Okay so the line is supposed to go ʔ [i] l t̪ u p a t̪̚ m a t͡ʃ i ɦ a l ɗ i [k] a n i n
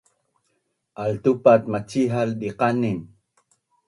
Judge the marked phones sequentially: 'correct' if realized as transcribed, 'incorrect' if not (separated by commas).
incorrect, incorrect